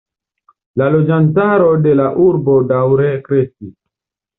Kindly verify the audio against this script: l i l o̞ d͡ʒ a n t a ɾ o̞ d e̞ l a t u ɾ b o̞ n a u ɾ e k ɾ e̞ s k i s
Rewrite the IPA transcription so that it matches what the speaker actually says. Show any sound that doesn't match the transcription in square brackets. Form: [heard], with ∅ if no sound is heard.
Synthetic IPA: l [a] l o̞ d͡ʒ a n t a ɾ o̞ d e̞ l a [ʔ] u ɾ b o̞ [d] a [w] ɾ e k ɾ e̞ s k i s